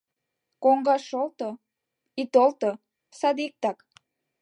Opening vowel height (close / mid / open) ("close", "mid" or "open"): mid